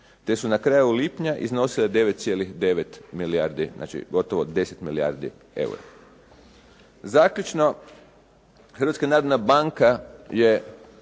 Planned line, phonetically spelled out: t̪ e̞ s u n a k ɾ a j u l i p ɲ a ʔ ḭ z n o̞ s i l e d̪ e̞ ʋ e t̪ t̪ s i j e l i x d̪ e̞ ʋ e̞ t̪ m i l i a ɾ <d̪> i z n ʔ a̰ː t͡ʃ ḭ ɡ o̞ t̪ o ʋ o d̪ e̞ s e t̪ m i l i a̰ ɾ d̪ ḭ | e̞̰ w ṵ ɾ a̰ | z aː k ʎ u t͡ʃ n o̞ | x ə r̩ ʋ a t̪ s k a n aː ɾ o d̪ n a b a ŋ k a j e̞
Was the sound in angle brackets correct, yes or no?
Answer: yes